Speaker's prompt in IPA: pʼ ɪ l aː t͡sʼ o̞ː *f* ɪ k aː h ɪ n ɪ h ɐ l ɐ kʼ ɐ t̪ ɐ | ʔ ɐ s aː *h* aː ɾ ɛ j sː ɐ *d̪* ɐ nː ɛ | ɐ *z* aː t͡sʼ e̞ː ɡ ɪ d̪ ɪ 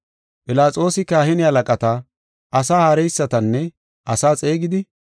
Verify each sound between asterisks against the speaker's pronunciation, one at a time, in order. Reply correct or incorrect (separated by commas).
incorrect, correct, incorrect, incorrect